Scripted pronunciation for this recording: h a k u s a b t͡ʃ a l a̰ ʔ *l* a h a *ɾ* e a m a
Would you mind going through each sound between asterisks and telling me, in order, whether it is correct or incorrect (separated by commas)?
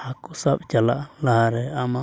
correct, correct